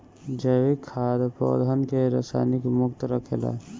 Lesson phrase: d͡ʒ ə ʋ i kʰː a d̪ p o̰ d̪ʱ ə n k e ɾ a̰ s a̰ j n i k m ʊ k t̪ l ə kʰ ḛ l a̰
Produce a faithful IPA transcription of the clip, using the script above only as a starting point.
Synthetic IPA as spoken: d͡ʒ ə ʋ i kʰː a d̪ p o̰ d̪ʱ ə n k e ɾ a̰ s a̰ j n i k m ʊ k t̪ ɾ ə kʰ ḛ l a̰